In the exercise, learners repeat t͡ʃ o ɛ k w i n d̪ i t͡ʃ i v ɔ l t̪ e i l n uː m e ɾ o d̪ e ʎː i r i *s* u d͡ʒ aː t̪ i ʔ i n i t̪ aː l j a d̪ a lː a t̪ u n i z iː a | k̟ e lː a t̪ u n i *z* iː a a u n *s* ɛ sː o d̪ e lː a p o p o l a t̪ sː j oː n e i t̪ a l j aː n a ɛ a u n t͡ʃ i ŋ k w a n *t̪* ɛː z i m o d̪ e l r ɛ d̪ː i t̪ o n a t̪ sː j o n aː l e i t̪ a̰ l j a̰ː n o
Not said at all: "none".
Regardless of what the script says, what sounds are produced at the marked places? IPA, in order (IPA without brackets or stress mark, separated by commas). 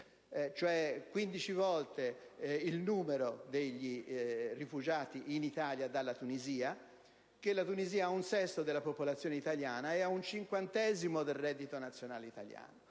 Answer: f, z, s, t̪